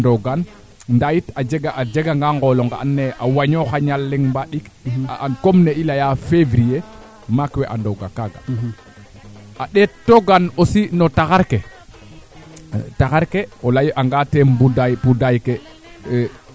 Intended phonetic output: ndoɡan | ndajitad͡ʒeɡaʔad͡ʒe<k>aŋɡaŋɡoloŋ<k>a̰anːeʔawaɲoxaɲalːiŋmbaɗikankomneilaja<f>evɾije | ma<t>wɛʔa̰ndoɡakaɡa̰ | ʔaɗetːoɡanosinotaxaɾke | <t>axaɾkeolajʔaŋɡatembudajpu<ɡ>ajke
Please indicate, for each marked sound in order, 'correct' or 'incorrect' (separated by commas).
incorrect, incorrect, correct, incorrect, correct, incorrect